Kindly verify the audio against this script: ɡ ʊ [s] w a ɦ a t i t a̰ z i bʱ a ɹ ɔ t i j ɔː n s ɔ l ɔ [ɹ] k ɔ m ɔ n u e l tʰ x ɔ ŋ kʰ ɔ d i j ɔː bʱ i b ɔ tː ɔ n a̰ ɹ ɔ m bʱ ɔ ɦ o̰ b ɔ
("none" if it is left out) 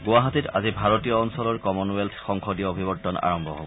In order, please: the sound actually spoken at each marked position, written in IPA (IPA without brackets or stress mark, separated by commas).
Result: none, ɹ